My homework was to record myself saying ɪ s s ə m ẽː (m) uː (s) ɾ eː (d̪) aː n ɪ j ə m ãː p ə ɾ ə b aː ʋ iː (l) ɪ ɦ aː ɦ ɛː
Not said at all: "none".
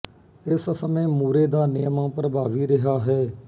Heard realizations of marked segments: m, none, d̪, ɾ

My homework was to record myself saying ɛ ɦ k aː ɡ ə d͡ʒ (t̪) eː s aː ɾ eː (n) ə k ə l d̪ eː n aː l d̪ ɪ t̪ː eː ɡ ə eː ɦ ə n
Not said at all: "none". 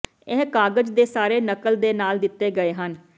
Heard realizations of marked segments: d̪, n

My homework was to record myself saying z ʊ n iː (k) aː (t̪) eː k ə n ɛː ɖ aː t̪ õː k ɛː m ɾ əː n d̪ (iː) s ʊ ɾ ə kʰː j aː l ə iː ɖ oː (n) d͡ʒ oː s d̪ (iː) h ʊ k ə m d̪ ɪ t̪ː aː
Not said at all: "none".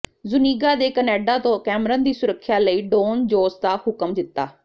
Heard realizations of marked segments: ɡ, d̪, iː, n, aː

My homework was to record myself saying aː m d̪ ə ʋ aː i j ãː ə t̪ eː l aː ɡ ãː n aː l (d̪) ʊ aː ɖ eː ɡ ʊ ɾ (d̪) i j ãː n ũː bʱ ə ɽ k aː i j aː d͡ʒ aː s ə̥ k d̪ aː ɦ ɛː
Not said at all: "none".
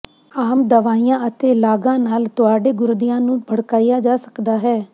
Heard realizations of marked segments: t̪, d̪

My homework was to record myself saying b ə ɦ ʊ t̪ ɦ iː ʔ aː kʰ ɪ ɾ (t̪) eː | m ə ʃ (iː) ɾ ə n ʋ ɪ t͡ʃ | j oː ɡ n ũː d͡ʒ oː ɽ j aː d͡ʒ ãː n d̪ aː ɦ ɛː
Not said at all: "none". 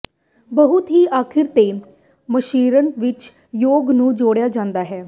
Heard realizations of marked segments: t̪, iː

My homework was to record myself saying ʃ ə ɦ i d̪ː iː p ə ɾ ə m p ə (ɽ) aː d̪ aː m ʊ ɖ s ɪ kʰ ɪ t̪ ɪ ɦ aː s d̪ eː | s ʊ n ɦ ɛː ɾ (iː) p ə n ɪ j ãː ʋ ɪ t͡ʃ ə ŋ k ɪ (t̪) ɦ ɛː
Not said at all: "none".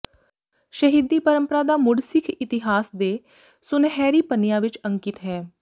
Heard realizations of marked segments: ɾ, iː, t̪

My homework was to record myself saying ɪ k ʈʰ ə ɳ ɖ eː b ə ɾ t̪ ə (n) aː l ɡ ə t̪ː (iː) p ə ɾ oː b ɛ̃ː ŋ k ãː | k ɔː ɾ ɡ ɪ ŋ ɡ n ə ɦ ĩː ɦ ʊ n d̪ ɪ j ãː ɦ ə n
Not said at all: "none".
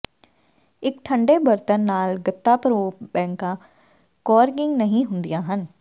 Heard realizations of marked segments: nː, aː

